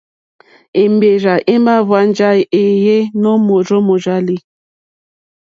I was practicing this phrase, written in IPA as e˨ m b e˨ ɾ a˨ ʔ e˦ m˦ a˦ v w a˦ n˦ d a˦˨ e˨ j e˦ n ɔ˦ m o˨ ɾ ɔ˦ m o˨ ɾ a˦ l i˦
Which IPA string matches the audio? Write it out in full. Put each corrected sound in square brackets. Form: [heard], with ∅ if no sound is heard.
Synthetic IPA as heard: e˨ m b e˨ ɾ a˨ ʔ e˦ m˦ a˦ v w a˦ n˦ [d͡ʒ] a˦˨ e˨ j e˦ n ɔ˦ m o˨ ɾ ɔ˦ m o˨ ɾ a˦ l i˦